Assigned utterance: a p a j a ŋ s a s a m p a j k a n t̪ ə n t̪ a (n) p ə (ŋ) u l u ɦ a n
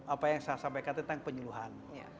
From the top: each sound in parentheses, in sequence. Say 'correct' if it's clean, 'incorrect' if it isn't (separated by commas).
incorrect, incorrect